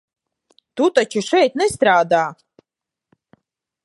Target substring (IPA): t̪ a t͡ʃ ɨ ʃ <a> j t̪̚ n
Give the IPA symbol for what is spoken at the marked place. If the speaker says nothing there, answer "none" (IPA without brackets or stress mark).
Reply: ɛ